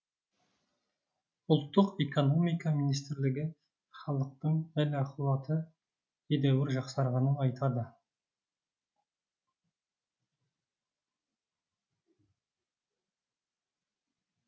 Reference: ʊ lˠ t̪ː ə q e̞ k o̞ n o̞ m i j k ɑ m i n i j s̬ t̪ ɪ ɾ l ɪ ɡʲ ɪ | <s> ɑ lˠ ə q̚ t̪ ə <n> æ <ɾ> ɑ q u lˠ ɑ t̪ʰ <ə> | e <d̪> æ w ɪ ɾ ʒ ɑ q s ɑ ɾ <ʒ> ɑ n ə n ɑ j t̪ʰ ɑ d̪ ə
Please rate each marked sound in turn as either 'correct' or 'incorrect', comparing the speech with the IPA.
incorrect: χ, incorrect: ɴ, incorrect: l, correct, correct, incorrect: ʁ

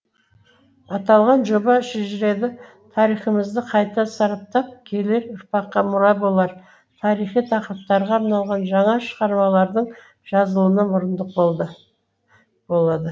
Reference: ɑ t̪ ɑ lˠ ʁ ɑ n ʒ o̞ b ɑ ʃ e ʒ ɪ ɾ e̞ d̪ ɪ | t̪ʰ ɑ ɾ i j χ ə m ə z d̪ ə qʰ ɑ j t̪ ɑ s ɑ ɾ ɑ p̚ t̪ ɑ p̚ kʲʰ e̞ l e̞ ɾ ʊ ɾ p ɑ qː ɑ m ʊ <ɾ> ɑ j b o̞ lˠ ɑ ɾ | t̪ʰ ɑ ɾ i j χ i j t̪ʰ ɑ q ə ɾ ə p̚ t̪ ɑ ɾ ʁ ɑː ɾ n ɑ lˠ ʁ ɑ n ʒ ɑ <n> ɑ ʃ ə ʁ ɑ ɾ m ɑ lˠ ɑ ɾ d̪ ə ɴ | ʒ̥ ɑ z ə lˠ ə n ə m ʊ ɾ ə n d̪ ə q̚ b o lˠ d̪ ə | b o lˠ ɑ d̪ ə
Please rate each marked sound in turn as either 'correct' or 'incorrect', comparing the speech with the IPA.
correct, incorrect: ɴ

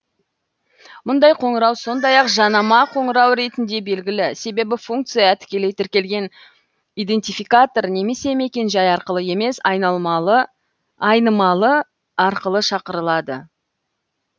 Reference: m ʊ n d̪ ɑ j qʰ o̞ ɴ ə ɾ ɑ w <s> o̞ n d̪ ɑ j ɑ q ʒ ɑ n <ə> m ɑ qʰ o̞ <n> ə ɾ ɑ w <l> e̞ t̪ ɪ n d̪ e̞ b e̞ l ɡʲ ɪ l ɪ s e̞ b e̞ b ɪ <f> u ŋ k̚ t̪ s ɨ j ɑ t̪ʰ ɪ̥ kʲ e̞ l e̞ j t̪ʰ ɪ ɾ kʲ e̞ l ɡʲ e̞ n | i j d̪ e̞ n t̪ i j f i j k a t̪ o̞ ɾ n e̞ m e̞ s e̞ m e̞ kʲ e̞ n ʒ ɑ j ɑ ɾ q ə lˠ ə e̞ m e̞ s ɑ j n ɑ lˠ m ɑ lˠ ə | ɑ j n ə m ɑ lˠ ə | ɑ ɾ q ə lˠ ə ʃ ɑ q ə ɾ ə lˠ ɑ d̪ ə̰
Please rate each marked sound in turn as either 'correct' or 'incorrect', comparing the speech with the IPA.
correct, incorrect: ɑ, incorrect: ɴ, incorrect: ɾ, correct

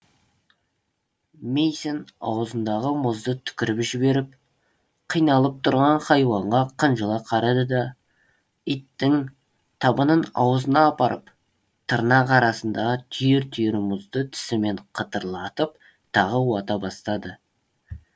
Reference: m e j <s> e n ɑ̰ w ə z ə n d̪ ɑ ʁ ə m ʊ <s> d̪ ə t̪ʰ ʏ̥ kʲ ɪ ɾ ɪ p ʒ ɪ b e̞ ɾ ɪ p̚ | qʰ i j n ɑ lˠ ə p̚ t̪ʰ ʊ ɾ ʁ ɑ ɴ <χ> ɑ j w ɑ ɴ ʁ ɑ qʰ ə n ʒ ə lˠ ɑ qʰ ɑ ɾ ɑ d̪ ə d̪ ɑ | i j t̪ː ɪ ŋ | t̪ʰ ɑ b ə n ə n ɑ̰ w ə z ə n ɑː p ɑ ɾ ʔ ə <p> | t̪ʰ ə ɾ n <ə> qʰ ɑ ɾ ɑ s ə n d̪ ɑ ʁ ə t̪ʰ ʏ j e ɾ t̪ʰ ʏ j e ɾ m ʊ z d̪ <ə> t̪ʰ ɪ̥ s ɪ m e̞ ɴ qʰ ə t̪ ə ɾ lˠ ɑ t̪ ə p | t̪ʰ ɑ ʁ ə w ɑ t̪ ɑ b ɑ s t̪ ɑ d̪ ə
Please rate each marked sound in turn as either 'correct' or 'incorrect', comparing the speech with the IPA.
correct, incorrect: z, correct, correct, incorrect: ɑ, correct

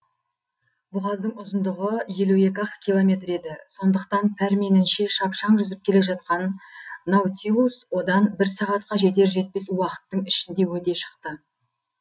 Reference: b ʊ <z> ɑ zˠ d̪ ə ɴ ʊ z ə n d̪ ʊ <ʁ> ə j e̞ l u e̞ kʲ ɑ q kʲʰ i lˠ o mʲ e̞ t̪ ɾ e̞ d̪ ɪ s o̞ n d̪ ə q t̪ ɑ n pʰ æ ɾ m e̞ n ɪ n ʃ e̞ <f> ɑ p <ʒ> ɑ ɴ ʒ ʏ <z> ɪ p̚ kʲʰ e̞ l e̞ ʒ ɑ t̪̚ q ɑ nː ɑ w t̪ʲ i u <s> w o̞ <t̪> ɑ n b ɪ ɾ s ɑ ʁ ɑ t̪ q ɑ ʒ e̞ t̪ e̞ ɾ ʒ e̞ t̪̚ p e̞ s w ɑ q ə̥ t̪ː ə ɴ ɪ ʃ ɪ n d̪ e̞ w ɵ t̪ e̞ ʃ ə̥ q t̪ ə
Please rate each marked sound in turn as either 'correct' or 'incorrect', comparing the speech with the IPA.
incorrect: ʁ, correct, incorrect: ʃ, incorrect: ʃ, correct, correct, incorrect: d̪

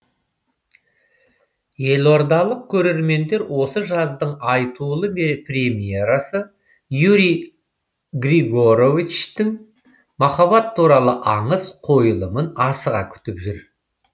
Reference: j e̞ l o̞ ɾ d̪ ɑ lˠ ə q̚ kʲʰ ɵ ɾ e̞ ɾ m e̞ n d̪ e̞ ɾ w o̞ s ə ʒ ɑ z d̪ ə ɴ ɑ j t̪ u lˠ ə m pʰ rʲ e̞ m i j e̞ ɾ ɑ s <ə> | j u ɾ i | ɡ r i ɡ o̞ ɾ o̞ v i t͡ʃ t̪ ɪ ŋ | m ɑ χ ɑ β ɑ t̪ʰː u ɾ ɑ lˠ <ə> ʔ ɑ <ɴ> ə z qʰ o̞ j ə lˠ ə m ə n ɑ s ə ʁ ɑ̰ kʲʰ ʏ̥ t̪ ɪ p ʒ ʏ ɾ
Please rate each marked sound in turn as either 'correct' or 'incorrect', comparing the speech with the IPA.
correct, correct, correct

